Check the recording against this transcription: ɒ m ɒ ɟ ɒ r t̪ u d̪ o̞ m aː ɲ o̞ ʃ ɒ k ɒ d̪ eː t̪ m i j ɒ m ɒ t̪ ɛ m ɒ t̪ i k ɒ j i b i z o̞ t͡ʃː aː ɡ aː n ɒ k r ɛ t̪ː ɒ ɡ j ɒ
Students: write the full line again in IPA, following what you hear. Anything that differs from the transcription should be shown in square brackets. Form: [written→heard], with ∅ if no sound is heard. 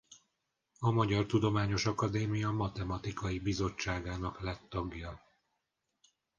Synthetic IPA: ɒ m ɒ ɟ ɒ r t̪ u d̪ o̞ m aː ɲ o̞ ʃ ɒ k ɒ d̪ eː [t̪→∅] m i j ɒ m ɒ t̪ ɛ m ɒ t̪ i k ɒ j i b i z o̞ t͡ʃː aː ɡ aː n ɒ k [r→l] ɛ t̪ː ɒ ɡ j ɒ

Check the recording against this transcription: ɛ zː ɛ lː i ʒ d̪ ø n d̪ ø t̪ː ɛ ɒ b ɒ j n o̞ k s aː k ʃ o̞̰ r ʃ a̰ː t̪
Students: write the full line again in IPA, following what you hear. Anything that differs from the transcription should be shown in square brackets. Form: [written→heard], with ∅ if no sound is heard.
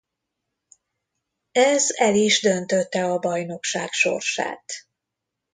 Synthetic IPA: ɛ [zː→z] ɛ [lː→l] i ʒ d̪ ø n [d̪→t̪] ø t̪ː ɛ ɒ b ɒ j n o̞ k [s→ʃ] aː k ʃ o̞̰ r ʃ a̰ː t̪

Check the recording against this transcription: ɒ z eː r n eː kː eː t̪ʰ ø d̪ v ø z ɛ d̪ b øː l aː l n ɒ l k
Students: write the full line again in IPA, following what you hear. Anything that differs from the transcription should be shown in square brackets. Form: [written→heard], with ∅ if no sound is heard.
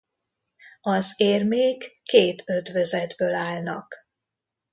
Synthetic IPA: ɒ z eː r [n→m] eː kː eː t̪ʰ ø d̪ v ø z ɛ d̪ b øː l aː l n ɒ [l→∅] k

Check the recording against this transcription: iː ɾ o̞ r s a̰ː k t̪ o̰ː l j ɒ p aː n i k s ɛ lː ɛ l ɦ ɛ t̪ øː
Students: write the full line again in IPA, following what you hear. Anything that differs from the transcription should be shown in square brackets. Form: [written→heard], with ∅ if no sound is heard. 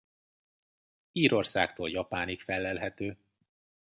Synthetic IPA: iː ɾ o̞ r s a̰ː k t̪ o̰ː l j ɒ p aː n i k [s→f] ɛ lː ɛ l ɦ ɛ t̪ øː

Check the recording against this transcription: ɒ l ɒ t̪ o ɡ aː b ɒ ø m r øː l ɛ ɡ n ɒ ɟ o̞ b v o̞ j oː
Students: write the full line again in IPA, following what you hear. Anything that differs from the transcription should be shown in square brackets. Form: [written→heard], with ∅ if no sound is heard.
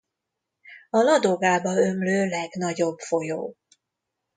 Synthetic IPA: ɒ l ɒ [t̪→d̪] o ɡ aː b ɒ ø m [r→l] øː l ɛ ɡ n ɒ ɟ o̞ b [v→f] o̞ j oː

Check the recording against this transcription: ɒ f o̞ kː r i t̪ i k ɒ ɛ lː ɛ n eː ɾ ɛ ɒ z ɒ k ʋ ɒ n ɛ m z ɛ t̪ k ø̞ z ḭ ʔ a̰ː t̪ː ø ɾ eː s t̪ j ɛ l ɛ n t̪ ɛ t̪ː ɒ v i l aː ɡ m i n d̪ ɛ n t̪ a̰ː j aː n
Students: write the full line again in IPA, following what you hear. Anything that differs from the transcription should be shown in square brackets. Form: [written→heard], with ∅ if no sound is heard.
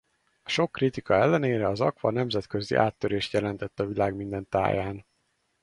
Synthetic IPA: ɒ [f→ʃ] o̞ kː r i t̪ i k ɒ ɛ lː ɛ n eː ɾ ɛ ɒ z ɒ k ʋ ɒ n ɛ m z ɛ t̪ k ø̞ z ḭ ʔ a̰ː t̪ː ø ɾ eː [s→ʃ] t̪ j ɛ l ɛ n t̪ ɛ t̪ː ɒ v i l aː ɡ m i n d̪ ɛ n t̪ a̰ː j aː n

